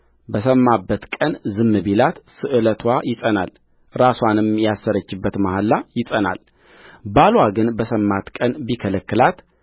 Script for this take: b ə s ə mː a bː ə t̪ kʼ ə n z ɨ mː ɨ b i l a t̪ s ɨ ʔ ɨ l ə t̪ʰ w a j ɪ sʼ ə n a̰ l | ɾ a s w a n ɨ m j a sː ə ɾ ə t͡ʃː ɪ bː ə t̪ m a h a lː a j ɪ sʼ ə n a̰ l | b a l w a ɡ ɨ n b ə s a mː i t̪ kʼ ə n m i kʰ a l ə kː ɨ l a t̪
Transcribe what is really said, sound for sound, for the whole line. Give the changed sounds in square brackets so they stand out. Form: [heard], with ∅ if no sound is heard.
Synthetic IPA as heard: b ə s ə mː a bː ə t̪ kʼ ə n z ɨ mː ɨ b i l a t̪ s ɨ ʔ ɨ l ə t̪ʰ w a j ɪ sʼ ə n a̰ l | ɾ a s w a n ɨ m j a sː ə ɾ ə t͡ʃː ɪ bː ə t̪ m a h a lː a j ɪ sʼ ə n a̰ l | b a l w a ɡ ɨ n b ə s [ə] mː [a] t̪ kʼ ə n [b] i kʰ [ə] l ə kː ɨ l a t̪

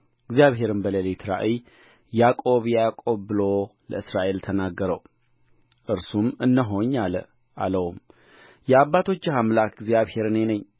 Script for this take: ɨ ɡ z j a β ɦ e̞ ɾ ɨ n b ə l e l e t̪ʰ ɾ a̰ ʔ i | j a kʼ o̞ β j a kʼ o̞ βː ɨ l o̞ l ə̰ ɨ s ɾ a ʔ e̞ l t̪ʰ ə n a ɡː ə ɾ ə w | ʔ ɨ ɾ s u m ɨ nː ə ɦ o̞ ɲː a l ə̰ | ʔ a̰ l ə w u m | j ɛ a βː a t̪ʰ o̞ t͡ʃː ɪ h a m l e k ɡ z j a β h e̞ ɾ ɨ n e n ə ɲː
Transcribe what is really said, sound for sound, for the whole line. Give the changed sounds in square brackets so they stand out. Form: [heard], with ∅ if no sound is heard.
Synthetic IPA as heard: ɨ ɡ z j a β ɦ e̞ ɾ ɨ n b ə l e l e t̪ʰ ɾ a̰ ʔ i | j a kʼ o̞ β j a kʼ o̞ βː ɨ l o̞ l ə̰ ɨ s ɾ a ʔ e̞ l t̪ʰ ə n a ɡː ə ɾ ə w | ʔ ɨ ɾ s u m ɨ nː ə ɦ o̞ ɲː a l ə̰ | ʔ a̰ l ə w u m | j ɛ a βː a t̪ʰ o̞ t͡ʃː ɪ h a m l [a] k ɡ z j a β h e̞ ɾ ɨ n e n ə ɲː

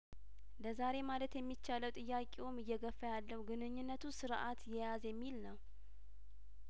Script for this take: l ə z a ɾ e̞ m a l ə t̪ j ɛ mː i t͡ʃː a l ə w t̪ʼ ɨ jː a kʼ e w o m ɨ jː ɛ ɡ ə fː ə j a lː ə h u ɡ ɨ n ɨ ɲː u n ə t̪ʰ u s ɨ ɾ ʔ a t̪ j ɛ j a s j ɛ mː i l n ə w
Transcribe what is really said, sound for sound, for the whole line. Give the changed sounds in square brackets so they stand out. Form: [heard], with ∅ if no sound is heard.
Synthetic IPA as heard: l ə z a ɾ e̞ m a l ə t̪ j ɛ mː i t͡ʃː a l ə w t̪ʼ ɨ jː a kʼ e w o m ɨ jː ɛ ɡ ə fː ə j a lː ə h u ɡ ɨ n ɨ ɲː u [nː] ə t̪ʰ u s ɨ ɾ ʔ a t̪ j ɛ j a [z] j ɛ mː i l n ə w

